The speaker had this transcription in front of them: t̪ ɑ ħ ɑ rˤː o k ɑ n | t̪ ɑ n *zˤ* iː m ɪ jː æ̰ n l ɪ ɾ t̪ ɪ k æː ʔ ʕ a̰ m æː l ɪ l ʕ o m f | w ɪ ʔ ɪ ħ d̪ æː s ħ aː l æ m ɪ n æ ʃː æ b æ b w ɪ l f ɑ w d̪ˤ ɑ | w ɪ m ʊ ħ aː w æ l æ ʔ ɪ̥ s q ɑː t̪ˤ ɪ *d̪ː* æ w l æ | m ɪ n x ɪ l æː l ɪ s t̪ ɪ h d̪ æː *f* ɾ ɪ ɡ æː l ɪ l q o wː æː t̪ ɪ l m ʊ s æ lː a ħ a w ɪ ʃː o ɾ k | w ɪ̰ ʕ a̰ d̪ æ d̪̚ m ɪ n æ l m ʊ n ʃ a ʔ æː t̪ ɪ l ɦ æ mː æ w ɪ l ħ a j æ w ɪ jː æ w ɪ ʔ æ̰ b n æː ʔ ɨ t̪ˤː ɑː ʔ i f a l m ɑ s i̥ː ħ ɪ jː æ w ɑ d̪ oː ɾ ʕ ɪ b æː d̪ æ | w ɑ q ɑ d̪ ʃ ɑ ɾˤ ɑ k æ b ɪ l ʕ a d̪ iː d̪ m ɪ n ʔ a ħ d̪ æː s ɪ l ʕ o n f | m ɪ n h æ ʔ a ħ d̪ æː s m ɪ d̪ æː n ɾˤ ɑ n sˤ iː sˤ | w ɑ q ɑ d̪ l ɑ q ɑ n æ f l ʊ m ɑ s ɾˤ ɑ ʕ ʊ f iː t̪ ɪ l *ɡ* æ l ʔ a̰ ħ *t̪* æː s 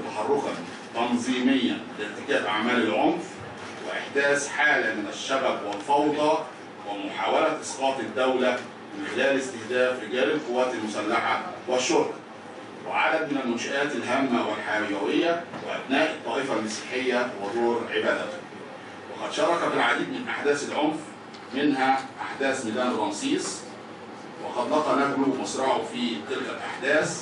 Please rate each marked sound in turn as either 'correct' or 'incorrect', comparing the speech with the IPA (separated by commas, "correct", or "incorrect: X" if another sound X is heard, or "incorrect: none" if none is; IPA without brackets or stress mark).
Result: correct, correct, correct, incorrect: k, incorrect: d̪